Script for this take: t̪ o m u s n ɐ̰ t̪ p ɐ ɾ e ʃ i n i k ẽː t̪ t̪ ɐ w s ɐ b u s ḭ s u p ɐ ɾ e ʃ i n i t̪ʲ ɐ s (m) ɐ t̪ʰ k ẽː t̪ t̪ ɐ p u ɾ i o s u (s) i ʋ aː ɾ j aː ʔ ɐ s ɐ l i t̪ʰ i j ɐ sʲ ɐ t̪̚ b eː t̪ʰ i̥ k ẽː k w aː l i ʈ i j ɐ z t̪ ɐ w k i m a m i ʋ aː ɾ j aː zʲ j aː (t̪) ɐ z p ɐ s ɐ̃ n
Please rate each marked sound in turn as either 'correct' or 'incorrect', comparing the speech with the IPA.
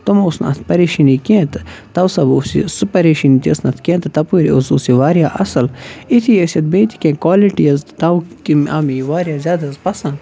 incorrect: n, correct, incorrect: d̪

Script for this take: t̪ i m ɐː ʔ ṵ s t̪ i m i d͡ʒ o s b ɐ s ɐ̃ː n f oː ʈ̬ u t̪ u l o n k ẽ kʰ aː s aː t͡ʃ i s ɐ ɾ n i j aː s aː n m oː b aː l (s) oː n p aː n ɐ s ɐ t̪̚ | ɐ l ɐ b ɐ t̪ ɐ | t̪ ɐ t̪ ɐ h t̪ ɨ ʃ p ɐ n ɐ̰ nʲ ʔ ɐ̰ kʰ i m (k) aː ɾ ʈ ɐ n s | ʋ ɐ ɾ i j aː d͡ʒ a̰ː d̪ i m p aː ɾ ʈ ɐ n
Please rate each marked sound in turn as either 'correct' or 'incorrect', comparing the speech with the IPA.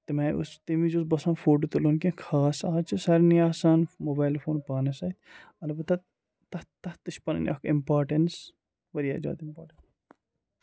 incorrect: f, incorrect: p

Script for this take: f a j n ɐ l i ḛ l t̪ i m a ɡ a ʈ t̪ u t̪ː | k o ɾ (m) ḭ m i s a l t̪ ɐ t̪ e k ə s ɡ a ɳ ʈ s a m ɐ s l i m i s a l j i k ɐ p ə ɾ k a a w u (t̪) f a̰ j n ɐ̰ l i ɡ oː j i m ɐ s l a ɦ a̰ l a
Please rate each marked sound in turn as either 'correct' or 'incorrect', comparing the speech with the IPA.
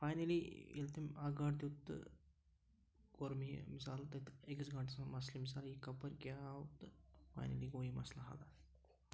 correct, correct

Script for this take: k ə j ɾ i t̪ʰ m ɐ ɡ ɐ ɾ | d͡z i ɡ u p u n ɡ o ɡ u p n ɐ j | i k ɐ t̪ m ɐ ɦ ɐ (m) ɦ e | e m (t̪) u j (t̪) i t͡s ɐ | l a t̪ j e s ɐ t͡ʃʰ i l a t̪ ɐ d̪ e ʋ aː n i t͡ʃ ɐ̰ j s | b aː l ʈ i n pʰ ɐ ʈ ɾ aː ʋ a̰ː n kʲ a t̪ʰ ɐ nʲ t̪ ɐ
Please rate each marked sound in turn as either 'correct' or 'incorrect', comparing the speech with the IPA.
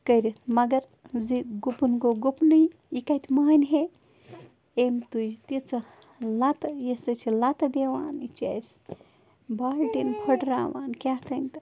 incorrect: n, correct, correct

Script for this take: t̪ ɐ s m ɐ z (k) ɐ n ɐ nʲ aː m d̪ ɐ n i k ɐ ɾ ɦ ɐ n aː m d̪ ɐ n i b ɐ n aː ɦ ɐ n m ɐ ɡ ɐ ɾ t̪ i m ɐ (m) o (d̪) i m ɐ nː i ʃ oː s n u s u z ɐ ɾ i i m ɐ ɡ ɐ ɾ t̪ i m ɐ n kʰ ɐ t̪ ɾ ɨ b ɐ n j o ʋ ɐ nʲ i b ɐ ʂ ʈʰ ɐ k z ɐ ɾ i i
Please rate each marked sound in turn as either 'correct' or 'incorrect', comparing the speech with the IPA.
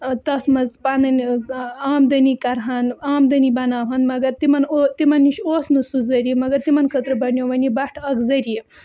incorrect: p, incorrect: n, incorrect: t̪

